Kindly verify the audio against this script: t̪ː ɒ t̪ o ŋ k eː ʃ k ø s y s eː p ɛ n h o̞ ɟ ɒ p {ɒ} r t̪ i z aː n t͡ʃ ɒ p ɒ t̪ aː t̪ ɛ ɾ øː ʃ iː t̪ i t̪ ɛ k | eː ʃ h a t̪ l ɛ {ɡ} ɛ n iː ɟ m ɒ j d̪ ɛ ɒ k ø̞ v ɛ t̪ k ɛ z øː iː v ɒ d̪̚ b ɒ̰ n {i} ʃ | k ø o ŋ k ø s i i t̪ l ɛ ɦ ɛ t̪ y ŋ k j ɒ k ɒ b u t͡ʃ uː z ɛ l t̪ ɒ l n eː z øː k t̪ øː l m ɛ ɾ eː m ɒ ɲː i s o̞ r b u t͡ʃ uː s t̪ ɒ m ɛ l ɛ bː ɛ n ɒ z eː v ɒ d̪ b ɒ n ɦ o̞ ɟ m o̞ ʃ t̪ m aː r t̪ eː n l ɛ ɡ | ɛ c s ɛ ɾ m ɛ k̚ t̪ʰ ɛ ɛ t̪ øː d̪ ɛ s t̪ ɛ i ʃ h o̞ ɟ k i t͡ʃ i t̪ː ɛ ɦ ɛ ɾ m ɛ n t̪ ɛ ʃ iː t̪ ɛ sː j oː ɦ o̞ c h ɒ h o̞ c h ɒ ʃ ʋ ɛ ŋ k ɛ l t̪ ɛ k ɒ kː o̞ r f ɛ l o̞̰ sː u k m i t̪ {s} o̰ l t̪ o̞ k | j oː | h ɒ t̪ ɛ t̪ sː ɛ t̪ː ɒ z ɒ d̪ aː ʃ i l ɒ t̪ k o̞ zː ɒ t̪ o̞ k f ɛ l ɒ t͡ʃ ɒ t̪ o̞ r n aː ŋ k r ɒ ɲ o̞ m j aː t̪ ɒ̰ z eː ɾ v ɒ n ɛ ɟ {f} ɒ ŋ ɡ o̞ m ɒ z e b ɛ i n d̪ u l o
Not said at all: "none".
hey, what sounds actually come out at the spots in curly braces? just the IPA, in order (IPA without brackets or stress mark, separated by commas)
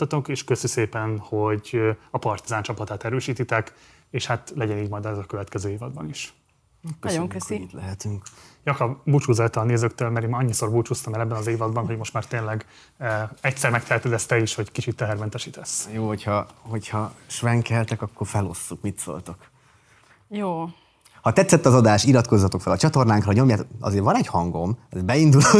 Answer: ɒ, ɟ, i, s, h